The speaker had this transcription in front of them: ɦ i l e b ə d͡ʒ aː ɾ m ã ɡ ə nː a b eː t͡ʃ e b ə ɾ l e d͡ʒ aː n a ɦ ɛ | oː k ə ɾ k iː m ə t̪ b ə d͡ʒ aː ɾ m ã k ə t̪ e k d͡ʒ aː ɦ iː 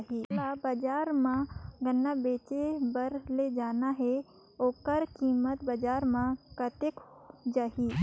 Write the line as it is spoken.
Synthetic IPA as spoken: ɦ i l a b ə d͡ʒ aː ɾ m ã ɡ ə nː a b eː t͡ʃ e b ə ɾ l e d͡ʒ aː n a ɦ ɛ | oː k ə ɾ k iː m ə t̪ b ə d͡ʒ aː ɾ m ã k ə t̪ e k d͡ʒ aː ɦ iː